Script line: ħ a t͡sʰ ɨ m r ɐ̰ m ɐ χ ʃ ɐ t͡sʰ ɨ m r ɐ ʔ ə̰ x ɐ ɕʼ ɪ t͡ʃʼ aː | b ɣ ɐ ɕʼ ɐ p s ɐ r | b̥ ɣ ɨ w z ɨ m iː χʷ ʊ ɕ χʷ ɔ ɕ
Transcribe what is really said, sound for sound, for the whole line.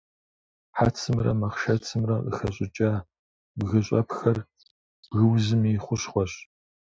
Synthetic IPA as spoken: ħ a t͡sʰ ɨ m r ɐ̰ m ɐ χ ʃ ɐ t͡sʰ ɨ m r ɐ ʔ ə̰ x ɐ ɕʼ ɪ t͡ʃʼ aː | b ɣ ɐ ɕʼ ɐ p x ɐ r | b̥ ɣ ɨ w z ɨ m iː χʷ ʊ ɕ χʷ ɔ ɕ